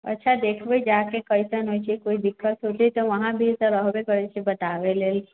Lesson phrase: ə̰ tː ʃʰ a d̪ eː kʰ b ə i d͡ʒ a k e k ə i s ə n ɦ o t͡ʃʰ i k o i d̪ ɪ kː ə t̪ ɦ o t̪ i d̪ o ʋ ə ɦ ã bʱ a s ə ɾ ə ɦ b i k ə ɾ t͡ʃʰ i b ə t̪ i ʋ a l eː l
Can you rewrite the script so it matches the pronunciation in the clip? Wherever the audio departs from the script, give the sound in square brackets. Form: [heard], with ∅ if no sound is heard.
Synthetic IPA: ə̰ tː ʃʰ a d̪ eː kʰ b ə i d͡ʒ a k e k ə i s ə n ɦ o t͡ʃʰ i k o i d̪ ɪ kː ə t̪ ɦ o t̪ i [t̪] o ʋ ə ɦ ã bʱ [i] s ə ɾ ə ɦ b [e] k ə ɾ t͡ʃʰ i b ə t̪ [a] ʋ [e] l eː l